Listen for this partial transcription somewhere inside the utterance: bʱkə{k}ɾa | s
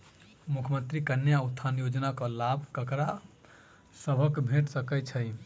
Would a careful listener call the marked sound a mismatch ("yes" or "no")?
no